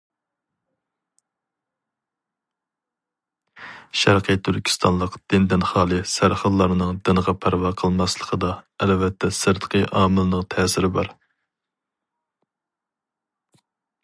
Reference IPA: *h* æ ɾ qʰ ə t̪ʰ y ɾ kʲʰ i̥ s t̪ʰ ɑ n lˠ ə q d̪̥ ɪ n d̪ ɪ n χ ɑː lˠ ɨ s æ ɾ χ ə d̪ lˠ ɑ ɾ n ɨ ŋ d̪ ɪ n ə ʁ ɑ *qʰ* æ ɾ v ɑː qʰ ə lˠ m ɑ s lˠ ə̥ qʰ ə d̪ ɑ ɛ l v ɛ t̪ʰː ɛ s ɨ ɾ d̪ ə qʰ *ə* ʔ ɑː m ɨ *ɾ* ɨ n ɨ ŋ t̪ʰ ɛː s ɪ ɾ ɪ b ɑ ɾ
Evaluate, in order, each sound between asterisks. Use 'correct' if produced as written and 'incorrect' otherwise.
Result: incorrect, incorrect, correct, incorrect

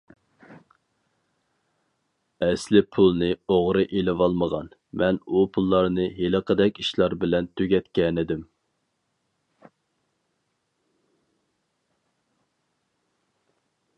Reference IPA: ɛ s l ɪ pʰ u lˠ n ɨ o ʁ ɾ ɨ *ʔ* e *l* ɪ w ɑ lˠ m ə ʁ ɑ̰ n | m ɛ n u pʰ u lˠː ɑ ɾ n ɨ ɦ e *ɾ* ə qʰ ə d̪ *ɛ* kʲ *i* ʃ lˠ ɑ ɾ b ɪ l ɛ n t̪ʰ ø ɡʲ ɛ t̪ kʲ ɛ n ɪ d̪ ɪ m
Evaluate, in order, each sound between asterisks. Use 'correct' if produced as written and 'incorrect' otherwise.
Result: correct, correct, incorrect, correct, correct

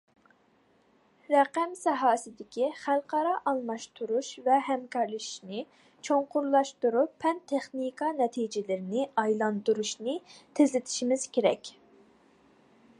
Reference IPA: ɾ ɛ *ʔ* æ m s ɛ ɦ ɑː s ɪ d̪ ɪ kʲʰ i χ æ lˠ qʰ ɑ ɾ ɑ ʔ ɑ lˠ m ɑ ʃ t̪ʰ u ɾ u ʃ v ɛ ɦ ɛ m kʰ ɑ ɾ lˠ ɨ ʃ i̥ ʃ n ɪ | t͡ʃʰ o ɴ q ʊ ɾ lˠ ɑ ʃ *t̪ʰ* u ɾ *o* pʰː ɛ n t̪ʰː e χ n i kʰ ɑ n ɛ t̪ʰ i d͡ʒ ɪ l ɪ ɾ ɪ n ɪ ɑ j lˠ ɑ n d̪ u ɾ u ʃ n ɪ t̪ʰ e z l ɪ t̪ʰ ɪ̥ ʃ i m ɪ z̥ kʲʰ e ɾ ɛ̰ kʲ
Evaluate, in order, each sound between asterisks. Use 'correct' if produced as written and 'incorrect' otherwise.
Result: incorrect, incorrect, incorrect

